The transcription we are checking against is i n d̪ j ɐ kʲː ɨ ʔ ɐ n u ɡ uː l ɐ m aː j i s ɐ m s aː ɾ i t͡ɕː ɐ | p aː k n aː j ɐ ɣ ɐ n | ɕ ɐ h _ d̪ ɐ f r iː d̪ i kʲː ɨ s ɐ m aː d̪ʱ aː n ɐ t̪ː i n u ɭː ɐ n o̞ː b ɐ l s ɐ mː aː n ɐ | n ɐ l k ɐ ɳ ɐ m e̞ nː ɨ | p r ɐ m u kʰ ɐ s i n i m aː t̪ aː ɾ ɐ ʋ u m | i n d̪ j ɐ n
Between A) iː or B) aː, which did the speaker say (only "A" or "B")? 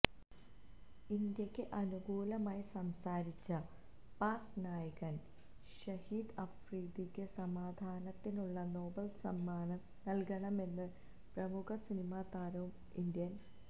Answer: A